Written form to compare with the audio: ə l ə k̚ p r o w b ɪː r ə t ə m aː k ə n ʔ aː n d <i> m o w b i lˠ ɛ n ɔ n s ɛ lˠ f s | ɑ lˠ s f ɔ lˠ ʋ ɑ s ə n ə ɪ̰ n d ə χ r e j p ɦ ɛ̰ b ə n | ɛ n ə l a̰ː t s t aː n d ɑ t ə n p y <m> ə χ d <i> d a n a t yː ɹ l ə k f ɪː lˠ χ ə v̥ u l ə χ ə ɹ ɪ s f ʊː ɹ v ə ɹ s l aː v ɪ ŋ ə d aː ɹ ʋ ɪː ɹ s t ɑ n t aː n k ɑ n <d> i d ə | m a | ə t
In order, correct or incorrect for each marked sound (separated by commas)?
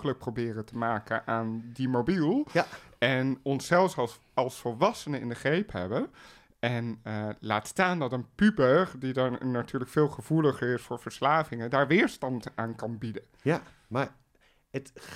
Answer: correct, incorrect, correct, incorrect